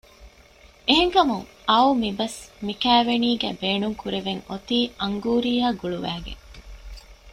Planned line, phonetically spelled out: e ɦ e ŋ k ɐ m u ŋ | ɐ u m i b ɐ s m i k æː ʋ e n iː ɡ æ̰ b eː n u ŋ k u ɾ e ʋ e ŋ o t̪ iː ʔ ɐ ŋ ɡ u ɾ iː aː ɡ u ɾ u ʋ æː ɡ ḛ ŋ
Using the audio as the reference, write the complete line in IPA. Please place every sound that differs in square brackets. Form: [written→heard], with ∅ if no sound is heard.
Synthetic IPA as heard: e ɦ e ŋ k ɐ m u ŋ | ɐ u m i b ɐ s m i k æː ʋ e n iː ɡ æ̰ b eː n u ŋ k u ɾ e ʋ e ŋ o t̪ iː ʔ ɐ ŋ ɡ [u→uː] ɾ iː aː ɡ u [ɾ→ɭ] u ʋ æː ɡ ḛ ŋ

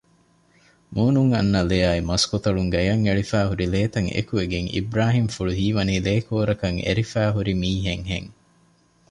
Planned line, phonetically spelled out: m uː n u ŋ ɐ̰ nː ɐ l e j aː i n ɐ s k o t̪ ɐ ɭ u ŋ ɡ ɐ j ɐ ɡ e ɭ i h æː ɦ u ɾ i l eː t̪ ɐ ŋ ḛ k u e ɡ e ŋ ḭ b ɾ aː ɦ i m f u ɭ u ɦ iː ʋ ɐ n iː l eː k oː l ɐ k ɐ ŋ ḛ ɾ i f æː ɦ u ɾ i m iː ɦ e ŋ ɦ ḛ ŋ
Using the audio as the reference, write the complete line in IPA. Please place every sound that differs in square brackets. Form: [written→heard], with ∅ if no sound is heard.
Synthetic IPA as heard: m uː n u ŋ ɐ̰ nː ɐ l e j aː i [n→m] ɐ s k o t̪ ɐ ɭ u ŋ ɡ ɐ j ɐ [ɡ→ŋ] e ɭ i [h→f] æː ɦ u ɾ i l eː t̪ ɐ ŋ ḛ k u e ɡ e ŋ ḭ b ɾ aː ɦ i m f u ɭ u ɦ iː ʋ ɐ n iː l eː k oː [l→ɾ] ɐ k ɐ ŋ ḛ ɾ i f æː ɦ u ɾ i m iː ɦ e ŋ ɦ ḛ ŋ

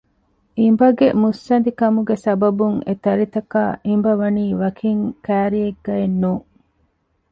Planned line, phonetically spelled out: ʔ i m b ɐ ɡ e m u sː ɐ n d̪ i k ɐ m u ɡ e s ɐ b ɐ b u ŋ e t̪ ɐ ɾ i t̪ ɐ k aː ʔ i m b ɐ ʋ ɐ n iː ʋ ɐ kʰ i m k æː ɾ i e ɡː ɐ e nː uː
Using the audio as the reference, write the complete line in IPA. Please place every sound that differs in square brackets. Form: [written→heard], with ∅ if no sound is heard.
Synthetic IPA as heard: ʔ i m b ɐ ɡ e m u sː ɐ n d̪ i k ɐ m u ɡ e s ɐ b ɐ b u ŋ e t̪ ɐ ɾ i t̪ ɐ k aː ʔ i m b ɐ ʋ ɐ n iː ʋ ɐ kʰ i [m→ŋ] k æː ɾ i e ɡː ɐ e nː uː

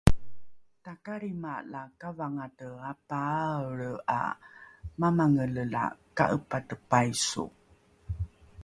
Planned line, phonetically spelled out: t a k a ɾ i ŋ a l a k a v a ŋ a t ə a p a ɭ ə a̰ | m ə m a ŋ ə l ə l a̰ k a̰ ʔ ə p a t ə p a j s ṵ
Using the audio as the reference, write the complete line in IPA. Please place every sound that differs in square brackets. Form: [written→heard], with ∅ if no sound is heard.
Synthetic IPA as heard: t a k a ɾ i [ŋ→m] a l a k a v a ŋ a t ə a p a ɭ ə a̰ | m [ə→a] m a ŋ ə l ə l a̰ k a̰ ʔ ə p a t ə p a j s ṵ

